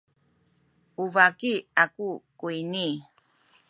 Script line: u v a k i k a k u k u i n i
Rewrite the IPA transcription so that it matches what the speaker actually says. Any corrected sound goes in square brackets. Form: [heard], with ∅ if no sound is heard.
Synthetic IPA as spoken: u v a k i [∅] a k u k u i n i